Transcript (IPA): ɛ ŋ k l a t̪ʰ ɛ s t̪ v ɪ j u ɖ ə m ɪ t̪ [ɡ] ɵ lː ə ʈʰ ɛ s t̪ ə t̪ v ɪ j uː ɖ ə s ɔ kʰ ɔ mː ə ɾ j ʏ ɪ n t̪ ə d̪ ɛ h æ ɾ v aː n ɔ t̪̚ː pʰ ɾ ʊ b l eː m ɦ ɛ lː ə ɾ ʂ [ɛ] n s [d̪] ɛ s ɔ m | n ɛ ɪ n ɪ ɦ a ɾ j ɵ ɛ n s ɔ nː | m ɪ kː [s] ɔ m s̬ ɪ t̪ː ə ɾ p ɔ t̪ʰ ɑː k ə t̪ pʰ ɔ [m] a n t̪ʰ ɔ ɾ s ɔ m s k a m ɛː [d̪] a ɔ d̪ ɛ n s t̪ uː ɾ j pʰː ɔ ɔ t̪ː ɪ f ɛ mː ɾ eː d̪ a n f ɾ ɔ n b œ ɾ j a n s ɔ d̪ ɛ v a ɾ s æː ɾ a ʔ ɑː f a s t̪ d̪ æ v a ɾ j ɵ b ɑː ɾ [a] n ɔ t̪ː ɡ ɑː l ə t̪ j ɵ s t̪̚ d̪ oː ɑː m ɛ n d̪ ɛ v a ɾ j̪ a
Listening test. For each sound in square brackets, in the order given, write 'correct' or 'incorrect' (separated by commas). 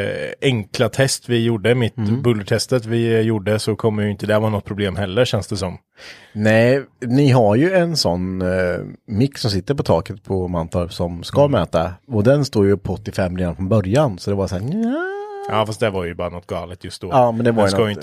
incorrect, correct, correct, correct, correct, incorrect, correct